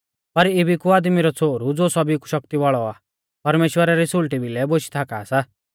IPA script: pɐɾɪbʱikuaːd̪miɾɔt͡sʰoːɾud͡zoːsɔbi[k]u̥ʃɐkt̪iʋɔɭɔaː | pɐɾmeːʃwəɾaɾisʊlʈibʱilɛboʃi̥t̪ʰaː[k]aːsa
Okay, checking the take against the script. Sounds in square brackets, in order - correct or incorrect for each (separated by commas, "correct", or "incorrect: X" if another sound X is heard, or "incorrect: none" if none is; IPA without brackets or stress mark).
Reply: correct, correct